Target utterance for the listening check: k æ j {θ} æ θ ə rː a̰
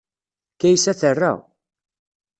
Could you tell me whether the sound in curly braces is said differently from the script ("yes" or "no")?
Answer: yes